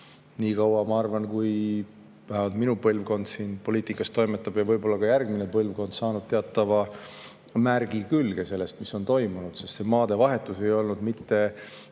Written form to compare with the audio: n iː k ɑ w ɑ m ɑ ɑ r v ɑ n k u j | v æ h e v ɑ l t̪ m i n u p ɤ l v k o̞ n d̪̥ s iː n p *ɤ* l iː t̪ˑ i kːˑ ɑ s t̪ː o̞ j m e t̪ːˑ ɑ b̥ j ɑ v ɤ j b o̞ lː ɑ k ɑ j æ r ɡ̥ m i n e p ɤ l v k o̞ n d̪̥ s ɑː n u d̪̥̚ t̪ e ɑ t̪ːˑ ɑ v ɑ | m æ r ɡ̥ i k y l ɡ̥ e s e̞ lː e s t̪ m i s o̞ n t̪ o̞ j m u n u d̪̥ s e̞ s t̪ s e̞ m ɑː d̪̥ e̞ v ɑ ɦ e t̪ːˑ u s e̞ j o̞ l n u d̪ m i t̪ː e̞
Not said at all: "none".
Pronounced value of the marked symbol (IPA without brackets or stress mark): o